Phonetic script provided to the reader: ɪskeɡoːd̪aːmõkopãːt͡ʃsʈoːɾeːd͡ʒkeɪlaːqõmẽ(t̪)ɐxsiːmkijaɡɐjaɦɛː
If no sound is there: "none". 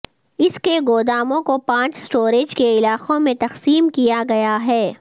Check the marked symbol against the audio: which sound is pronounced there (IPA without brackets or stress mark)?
t̪